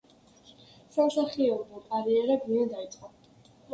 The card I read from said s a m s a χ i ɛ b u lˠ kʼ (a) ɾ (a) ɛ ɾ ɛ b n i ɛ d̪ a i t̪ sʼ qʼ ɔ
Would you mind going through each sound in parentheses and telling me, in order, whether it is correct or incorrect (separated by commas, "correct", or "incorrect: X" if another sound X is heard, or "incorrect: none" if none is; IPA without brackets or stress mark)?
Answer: correct, incorrect: i